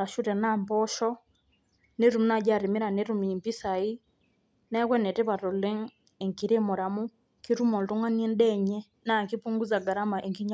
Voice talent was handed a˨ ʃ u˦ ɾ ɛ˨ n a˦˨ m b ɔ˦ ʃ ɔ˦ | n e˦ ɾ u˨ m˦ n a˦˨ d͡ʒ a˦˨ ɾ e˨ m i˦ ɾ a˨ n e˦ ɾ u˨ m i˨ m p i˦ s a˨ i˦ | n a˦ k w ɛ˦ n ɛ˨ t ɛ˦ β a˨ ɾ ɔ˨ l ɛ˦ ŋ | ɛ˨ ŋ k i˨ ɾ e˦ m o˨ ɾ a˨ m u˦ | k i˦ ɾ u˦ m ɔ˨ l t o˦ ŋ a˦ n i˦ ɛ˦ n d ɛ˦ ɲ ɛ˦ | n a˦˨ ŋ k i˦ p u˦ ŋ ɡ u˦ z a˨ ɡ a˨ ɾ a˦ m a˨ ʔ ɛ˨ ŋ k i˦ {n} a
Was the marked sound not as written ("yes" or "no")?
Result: yes